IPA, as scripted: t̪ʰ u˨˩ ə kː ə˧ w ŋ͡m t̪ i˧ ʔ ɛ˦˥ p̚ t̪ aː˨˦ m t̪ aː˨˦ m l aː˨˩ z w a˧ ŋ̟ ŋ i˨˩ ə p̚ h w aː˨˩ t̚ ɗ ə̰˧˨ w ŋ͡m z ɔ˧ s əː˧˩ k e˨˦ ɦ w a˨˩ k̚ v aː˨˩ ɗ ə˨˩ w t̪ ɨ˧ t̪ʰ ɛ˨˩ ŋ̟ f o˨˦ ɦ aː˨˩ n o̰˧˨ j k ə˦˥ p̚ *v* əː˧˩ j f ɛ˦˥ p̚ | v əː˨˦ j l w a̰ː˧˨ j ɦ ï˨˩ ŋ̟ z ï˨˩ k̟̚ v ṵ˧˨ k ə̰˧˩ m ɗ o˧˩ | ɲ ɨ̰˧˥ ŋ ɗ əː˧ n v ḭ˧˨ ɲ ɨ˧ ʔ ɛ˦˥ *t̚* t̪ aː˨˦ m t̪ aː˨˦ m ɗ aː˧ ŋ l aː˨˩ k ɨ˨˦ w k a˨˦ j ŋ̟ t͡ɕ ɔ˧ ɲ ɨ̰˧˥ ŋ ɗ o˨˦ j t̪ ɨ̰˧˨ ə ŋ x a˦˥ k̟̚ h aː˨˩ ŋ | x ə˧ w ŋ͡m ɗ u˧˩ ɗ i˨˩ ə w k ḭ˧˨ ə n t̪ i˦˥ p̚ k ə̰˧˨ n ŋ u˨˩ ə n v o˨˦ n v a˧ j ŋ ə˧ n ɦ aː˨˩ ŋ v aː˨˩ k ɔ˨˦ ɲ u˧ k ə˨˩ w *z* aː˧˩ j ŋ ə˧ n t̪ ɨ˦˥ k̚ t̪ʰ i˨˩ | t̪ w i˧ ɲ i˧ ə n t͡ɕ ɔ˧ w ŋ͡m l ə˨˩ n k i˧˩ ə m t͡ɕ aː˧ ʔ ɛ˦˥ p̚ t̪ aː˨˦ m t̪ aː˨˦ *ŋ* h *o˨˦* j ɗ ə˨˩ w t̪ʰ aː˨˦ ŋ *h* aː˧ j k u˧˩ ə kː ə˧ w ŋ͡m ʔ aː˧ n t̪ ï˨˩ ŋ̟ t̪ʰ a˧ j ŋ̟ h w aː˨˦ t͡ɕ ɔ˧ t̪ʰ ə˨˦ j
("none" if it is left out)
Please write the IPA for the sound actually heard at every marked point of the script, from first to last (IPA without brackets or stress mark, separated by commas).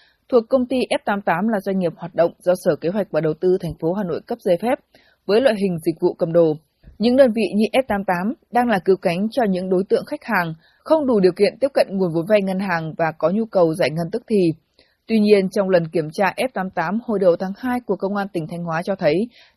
z, p̚, z, m, o˧˩, h